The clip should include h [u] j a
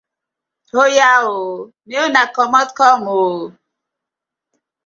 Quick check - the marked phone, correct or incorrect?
incorrect